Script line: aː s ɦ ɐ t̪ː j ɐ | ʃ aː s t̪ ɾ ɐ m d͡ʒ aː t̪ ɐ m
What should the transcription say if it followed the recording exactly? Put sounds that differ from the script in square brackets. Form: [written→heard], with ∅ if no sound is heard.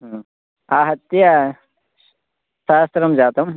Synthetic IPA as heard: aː [s→∅] ɦ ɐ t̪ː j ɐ | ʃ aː s t̪ ɾ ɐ m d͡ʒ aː t̪ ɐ m